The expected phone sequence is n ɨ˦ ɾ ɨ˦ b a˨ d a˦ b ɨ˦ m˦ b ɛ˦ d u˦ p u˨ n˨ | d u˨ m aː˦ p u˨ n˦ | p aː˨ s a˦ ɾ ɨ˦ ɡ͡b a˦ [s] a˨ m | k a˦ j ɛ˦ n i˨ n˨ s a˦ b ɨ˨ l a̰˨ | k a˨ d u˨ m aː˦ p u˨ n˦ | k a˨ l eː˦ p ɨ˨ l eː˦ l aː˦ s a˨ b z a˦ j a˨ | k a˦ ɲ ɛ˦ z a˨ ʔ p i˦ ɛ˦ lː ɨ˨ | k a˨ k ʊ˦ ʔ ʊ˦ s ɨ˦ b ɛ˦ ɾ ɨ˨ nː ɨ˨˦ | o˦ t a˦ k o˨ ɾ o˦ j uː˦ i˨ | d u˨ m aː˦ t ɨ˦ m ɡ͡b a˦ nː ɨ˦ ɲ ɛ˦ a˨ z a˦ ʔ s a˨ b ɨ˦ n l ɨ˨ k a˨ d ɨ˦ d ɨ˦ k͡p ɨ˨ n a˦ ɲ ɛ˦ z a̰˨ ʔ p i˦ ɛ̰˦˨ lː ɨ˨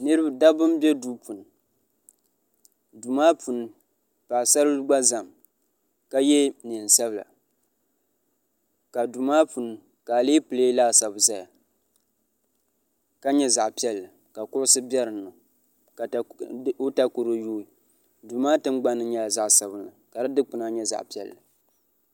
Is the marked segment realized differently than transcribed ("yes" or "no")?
yes